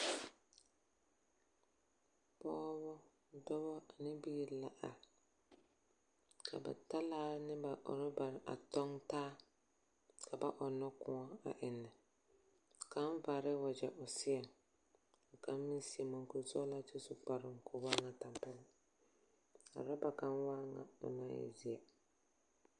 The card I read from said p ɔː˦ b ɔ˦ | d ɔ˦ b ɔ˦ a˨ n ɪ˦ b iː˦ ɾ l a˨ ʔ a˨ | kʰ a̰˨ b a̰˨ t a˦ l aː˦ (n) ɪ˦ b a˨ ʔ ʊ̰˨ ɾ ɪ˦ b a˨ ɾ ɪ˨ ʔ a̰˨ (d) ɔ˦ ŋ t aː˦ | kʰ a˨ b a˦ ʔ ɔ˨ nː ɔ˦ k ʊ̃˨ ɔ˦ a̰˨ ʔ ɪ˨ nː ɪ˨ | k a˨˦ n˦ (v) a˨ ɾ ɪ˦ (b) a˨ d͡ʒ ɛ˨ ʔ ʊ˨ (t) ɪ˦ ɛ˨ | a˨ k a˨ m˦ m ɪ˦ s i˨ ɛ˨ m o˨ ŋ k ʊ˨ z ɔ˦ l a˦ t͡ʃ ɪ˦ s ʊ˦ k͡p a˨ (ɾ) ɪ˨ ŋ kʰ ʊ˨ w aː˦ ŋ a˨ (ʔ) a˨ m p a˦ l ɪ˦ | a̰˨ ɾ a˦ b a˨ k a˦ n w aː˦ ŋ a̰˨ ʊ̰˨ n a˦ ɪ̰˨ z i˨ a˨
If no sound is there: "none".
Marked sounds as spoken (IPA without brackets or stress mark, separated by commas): n, t, v, w, s, ɾ, t